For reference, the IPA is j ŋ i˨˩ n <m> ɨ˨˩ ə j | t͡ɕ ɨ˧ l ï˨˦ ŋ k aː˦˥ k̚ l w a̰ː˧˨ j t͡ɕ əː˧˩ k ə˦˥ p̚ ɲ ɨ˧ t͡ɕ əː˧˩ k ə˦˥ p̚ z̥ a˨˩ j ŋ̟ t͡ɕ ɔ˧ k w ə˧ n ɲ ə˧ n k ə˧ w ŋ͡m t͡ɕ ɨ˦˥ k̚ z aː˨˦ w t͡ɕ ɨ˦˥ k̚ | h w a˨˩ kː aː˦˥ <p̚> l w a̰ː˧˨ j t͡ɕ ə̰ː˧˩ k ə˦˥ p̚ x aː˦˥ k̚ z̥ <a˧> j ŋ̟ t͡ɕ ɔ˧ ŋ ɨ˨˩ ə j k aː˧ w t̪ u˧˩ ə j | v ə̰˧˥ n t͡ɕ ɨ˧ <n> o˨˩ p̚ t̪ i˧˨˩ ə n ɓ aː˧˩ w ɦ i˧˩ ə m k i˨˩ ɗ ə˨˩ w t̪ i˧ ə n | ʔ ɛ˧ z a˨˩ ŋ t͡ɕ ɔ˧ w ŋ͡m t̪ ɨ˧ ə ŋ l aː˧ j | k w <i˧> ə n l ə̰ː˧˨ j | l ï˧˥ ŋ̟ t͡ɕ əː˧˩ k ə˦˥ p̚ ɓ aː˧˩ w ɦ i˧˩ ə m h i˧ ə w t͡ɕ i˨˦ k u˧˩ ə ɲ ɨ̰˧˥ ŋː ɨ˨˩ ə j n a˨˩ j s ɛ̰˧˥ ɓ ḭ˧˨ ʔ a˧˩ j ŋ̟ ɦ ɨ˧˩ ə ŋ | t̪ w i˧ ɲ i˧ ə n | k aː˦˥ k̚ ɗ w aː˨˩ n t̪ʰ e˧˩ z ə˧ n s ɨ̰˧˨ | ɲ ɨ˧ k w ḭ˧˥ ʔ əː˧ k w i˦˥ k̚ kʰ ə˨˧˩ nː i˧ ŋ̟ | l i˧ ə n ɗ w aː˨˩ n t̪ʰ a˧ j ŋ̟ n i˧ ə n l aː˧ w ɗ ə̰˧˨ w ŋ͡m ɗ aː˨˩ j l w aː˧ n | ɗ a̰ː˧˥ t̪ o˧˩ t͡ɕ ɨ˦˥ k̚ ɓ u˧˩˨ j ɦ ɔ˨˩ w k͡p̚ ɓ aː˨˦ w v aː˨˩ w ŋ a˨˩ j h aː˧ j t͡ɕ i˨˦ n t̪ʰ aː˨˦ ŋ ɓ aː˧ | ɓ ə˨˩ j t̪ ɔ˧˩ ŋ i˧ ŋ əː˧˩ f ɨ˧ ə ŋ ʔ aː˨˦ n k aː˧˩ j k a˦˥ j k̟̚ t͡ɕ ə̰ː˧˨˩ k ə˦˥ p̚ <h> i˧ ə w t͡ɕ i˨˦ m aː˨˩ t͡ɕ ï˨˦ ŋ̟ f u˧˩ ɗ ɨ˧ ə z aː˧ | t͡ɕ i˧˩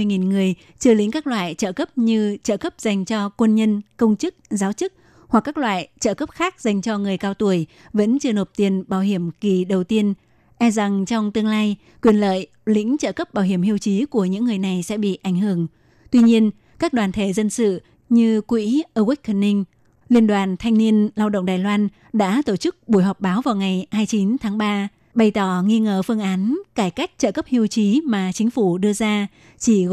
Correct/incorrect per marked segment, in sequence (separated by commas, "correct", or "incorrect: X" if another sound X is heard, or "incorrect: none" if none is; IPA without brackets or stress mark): incorrect: ŋ, incorrect: k̚, incorrect: a˨˩, correct, incorrect: i˨˩, correct